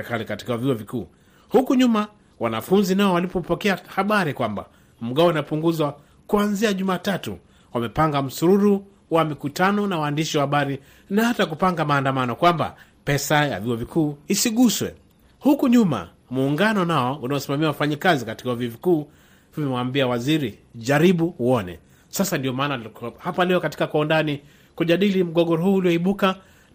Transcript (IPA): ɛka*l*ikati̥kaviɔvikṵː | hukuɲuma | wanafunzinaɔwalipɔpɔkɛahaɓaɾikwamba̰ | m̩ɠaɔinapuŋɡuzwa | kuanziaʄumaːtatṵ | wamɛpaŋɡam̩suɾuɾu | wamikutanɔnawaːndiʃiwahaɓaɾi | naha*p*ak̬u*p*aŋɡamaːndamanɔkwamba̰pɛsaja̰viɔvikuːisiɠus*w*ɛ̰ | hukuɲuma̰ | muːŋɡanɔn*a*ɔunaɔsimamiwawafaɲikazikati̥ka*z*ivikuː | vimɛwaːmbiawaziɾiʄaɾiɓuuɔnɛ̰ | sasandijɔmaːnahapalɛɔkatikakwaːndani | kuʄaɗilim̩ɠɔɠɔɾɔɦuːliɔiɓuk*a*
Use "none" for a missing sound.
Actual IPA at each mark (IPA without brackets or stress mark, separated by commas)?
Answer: l, t, p, w, a, v, a